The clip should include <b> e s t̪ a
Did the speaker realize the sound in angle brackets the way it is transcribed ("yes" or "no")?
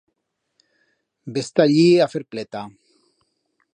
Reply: yes